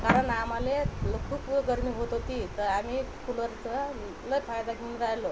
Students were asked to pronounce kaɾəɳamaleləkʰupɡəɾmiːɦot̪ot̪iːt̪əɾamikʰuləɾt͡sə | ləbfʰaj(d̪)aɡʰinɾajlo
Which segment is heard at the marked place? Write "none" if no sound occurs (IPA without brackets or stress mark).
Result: d̪